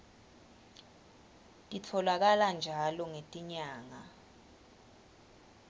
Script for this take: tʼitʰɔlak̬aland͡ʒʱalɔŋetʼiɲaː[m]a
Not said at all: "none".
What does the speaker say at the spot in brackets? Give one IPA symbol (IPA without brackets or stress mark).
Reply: ŋ